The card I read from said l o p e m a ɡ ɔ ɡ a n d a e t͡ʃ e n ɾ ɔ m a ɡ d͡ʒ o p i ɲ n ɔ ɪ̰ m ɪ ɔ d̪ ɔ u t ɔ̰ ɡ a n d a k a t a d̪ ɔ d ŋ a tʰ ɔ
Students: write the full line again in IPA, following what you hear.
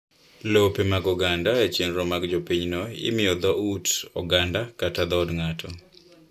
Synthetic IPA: l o p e m a ɡ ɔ ɡ a n d a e t͡ʃ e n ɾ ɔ m a ɡ d͡ʒ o p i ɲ n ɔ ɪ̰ m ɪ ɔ d̪ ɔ u t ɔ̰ ɡ a n d a k a t a d̪ ɔ d ŋ a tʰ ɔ